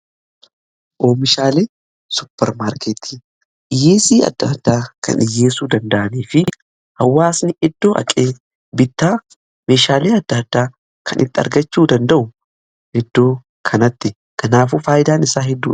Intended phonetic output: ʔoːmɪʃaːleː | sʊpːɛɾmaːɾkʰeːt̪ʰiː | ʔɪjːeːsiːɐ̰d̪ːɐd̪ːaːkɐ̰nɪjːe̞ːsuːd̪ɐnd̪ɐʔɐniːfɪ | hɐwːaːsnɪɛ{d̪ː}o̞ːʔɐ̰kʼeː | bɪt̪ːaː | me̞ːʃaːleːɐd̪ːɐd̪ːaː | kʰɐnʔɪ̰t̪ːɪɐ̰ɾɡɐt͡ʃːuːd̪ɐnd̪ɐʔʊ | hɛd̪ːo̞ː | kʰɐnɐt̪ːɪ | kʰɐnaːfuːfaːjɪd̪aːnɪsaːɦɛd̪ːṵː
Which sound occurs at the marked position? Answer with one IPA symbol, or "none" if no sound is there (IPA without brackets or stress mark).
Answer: d̪ː